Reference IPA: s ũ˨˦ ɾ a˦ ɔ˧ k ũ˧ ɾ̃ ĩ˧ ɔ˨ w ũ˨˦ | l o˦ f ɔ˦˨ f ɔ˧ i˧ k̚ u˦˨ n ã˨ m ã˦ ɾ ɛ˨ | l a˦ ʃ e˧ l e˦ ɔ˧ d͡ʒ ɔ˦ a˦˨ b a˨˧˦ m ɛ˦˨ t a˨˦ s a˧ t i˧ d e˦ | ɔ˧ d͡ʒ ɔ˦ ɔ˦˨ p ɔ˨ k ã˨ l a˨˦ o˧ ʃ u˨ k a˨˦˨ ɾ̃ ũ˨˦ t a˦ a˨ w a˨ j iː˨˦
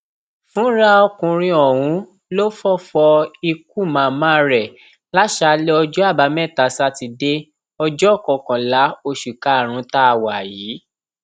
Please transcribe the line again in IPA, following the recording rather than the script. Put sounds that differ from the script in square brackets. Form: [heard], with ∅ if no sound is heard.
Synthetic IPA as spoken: [f] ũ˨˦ ɾ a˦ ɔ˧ k ũ˧ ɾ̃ ĩ˧ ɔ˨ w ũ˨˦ | l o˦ f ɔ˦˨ f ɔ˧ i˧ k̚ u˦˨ [m] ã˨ m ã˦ ɾ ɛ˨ | l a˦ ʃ [a˧] l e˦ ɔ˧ d͡ʒ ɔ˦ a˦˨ b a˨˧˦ m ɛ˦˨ t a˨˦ s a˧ t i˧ d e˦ | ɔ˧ d͡ʒ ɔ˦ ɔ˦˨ [k] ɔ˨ k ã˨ l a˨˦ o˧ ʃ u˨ k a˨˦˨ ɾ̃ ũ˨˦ t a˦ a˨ w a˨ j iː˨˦